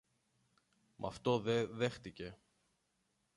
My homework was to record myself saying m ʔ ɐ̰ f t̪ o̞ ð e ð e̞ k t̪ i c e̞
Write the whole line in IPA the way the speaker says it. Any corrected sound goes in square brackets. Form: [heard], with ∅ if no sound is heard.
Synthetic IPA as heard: m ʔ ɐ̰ f t̪ o̞ ð e ð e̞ [x] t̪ i c e̞